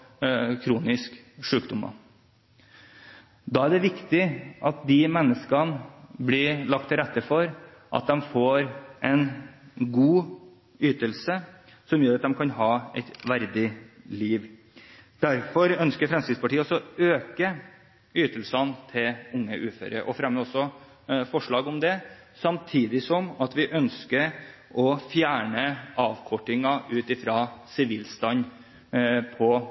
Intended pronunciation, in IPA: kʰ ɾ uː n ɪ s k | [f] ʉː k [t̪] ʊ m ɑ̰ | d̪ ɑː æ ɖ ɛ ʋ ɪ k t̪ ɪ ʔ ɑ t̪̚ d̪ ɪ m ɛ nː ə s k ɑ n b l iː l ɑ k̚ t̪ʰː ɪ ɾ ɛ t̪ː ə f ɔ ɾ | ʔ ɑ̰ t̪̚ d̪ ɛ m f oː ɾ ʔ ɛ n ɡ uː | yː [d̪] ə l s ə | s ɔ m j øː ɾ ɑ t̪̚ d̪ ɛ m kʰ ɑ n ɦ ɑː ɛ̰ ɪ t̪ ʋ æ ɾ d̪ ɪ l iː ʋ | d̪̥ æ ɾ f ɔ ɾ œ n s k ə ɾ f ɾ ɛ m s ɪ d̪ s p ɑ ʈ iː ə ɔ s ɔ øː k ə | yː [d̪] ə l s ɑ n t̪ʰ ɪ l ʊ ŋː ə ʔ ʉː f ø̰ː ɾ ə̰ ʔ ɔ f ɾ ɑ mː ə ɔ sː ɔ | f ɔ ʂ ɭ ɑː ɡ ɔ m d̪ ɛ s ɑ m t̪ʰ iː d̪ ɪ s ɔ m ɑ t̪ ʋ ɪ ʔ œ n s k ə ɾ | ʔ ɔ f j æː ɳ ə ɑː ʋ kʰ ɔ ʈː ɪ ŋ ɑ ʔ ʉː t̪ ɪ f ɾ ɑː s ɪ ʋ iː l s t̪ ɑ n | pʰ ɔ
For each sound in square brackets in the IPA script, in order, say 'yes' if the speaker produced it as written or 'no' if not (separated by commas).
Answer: no, no, no, no